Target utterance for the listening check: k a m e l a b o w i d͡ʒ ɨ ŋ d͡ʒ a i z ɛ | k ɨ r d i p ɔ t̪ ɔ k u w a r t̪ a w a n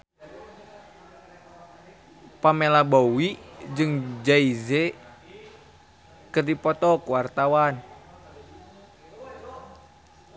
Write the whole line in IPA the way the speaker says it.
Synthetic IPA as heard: p a m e l a b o w i d͡ʒ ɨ ŋ d͡ʒ a i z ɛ | k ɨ r d i p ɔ t̪ ɔ k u w a r t̪ a w a n